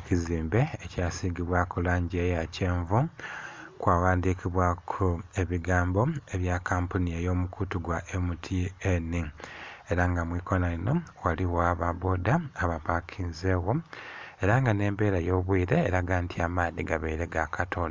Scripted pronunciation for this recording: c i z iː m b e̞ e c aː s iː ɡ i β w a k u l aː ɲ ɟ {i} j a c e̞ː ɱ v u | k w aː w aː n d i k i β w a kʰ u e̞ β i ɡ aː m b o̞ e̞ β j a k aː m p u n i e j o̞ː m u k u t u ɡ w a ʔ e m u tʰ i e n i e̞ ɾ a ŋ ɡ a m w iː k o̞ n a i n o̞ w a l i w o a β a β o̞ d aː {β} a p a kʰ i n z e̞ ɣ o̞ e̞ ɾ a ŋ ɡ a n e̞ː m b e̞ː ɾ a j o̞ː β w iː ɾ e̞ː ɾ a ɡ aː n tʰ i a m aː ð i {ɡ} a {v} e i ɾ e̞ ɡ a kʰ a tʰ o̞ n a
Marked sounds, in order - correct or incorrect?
incorrect, correct, correct, incorrect

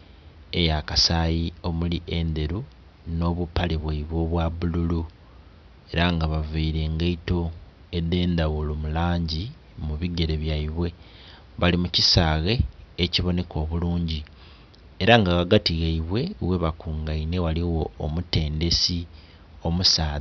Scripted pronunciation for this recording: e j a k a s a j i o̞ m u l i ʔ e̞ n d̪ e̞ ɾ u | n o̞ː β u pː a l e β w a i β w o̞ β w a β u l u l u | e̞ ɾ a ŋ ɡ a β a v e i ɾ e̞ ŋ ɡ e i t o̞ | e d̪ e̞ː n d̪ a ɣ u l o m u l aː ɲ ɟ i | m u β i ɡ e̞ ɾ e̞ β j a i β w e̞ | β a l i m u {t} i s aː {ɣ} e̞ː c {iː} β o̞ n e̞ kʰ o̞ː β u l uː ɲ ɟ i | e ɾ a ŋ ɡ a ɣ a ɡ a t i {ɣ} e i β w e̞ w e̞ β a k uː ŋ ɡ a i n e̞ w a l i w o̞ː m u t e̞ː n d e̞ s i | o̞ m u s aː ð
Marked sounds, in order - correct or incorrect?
incorrect, correct, incorrect, correct

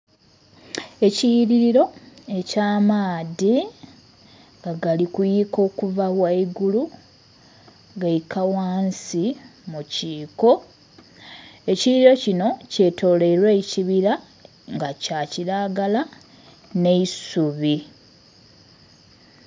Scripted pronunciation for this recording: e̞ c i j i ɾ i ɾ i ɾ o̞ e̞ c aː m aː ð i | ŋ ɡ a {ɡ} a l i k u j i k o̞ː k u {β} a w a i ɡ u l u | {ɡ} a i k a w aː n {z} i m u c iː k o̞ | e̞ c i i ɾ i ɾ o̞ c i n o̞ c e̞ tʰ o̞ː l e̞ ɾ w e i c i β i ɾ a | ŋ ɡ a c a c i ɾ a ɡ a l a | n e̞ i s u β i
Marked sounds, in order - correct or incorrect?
correct, incorrect, correct, incorrect

